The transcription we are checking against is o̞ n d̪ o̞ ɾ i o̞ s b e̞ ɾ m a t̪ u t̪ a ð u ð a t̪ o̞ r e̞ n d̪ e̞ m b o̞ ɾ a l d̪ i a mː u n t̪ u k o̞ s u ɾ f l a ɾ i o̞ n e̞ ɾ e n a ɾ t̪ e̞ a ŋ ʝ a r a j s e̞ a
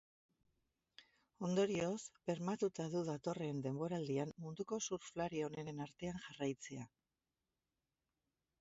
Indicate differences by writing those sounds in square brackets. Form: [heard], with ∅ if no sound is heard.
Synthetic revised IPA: o̞ n d̪ o̞ ɾ i o̞ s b e̞ ɾ m a t̪ u t̪ a ð u ð a t̪ o̞ r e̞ n d̪ e̞ m b o̞ ɾ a l d̪ i a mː u n [d̪] u k o̞ s u ɾ f l a ɾ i o̞ n e̞ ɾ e n a ɾ t̪ e̞ a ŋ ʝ a r a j [t͡s] e̞ a